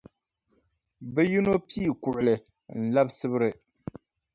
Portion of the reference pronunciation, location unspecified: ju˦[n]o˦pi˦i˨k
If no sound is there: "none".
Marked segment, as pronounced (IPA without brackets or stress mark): n